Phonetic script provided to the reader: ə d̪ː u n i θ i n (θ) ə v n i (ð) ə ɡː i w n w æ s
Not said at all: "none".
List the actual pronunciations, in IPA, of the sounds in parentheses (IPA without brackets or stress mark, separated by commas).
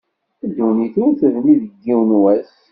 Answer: θ, ð